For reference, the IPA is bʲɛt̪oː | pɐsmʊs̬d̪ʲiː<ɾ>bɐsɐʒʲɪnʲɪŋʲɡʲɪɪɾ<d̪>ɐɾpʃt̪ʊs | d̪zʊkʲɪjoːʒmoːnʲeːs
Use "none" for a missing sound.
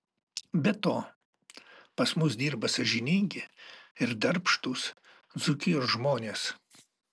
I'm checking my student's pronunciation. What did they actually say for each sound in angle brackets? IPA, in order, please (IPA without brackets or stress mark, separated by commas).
ɾ, d̪